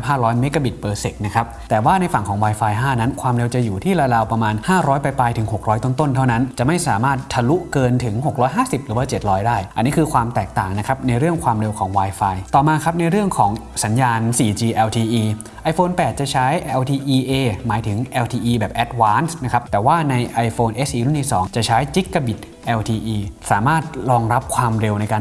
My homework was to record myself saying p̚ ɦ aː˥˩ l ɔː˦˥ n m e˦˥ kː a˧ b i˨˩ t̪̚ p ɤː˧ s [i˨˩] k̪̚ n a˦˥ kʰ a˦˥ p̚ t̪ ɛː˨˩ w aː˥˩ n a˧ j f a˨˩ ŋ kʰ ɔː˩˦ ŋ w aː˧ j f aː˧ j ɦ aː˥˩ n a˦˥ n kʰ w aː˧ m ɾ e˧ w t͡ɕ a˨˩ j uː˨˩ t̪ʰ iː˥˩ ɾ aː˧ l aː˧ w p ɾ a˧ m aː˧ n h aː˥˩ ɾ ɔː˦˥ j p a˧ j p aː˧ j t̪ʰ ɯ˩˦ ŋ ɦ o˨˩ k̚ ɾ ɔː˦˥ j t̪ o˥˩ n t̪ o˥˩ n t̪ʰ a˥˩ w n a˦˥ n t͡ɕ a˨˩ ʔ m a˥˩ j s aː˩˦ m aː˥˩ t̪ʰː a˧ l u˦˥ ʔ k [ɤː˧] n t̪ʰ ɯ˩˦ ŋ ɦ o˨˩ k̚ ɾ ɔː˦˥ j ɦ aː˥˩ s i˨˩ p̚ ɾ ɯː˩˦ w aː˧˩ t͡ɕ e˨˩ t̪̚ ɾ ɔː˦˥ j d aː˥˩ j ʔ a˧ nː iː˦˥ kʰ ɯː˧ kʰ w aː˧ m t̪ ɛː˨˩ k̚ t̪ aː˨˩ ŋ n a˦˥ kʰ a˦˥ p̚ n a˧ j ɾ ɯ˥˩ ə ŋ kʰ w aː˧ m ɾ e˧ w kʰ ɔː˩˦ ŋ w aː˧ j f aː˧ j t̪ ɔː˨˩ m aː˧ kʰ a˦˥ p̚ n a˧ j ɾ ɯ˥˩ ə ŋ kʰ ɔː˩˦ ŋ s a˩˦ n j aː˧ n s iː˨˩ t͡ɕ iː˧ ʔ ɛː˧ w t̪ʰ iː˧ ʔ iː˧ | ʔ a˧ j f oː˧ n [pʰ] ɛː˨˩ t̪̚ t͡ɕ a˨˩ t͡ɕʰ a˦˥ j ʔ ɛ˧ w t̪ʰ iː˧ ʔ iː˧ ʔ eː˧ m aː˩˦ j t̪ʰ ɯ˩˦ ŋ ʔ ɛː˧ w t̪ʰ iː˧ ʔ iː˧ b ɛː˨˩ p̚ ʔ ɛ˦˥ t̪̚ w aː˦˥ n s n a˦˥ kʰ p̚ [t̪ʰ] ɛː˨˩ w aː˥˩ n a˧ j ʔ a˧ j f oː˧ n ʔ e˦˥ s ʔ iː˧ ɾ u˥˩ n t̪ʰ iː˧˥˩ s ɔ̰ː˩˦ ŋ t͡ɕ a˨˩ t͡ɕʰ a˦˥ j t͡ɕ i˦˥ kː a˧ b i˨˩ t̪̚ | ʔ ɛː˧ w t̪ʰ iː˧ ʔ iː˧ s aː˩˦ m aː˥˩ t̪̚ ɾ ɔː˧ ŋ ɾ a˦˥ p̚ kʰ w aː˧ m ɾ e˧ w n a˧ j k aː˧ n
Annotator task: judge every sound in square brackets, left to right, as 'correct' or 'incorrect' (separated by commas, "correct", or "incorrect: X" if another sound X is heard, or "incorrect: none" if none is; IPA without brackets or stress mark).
incorrect: e˨˩, correct, incorrect: p, incorrect: t̪